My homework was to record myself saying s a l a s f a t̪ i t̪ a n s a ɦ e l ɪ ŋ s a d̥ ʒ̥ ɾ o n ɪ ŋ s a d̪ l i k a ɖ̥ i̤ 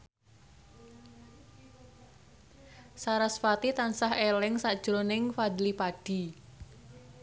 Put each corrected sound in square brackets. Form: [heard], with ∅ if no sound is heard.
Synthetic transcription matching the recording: s a [ɾ] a s f a t̪ i t̪ a n s a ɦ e l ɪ ŋ s a d̥ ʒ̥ ɾ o n ɪ ŋ [f] a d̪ l i [p] a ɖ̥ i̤